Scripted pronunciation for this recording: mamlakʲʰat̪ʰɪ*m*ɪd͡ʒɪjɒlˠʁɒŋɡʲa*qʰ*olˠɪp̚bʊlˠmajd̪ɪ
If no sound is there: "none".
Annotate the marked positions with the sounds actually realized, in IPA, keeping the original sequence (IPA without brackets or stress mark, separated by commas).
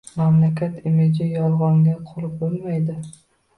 m, qʰ